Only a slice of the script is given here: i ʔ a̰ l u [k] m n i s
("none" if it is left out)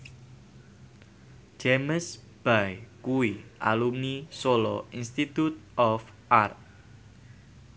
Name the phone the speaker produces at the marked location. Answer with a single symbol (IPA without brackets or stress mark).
none